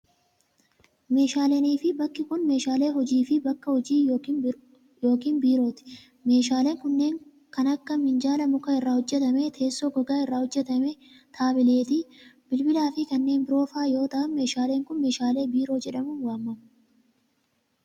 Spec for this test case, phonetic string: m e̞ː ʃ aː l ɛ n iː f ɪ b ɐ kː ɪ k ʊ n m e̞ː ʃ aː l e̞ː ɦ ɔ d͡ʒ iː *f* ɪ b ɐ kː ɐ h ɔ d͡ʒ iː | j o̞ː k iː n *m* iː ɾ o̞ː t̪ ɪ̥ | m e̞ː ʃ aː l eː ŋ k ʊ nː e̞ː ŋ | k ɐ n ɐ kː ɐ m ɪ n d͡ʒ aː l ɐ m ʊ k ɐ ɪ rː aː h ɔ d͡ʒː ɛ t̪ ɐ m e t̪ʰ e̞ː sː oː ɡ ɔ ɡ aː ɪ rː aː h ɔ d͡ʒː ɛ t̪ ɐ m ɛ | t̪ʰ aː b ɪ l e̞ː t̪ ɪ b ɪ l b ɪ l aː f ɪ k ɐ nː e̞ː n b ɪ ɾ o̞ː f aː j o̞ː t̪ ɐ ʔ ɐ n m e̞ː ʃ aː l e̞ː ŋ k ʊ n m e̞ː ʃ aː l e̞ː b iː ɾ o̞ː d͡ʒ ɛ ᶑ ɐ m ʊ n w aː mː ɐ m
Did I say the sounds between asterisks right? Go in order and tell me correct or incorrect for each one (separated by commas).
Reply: correct, incorrect